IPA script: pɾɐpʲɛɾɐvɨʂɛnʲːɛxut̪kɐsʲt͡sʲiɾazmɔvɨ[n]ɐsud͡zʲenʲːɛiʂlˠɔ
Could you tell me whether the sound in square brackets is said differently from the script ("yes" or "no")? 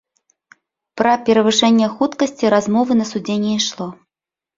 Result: no